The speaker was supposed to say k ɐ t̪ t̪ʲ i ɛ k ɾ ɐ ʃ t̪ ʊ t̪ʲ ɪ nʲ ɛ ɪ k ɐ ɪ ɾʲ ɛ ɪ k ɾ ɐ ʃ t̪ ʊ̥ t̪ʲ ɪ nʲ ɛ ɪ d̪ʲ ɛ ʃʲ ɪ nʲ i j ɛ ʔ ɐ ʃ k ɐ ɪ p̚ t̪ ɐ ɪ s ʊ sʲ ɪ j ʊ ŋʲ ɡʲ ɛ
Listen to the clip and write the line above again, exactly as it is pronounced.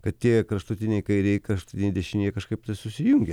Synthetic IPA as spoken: k ɐ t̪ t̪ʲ i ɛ k ɾ ɐ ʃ t̪ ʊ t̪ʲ ɪ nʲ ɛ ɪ k ɐ ɪ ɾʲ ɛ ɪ k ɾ ɐ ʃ t̪ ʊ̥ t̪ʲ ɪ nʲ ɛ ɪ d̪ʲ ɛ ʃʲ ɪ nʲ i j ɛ k ɐ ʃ k ɐ ɪ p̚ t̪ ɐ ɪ s ʊ sʲ ɪ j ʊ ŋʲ ɡʲ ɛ